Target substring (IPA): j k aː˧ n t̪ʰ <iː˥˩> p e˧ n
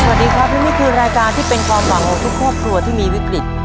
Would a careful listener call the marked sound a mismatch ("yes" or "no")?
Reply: no